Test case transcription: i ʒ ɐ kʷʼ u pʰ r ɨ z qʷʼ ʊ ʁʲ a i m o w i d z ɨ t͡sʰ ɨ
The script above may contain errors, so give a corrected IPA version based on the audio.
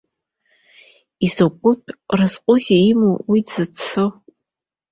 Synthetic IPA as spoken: i z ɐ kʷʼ ʊ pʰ r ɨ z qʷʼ ʊ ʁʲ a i m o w i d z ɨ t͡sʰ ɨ

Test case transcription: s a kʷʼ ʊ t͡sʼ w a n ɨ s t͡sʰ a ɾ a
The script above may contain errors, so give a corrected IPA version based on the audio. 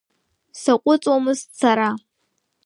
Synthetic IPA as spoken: s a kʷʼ ʊ t͡sʼ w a m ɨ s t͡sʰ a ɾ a

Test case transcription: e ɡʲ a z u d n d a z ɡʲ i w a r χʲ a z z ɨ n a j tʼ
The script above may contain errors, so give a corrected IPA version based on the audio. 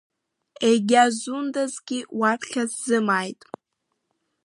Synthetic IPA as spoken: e ɡʲ a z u n d a z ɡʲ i w a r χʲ a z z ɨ m a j tʼ

